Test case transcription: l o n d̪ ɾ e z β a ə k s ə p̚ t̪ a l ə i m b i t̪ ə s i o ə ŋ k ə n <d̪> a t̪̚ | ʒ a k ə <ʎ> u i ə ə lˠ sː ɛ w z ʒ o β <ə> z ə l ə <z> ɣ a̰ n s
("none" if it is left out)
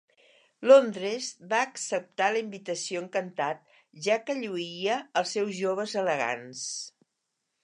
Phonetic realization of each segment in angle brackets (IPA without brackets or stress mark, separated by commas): t̪, ʎ, ə, none